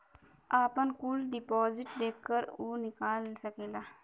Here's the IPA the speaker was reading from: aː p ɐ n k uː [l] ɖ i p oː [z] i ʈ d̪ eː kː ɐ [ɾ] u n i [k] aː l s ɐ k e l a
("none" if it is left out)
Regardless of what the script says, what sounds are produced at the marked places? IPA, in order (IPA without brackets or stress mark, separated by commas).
l, z, ɾ, k